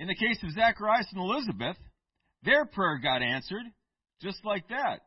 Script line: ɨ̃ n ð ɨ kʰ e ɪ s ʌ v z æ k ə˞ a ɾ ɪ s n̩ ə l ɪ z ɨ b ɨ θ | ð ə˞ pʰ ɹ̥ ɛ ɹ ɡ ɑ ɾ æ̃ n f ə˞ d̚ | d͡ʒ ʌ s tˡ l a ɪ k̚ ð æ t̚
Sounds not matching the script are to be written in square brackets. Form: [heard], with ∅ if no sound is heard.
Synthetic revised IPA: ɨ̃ n ð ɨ kʰ e ɪ s ʌ v z æ k ə˞ a [∅] ɪ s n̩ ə l ɪ z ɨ b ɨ θ | ð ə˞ pʰ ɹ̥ ɛ ɹ ɡ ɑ ɾ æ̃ n [s] ə˞ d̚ | d͡ʒ ʌ s tˡ l a ɪ k̚ ð æ t̚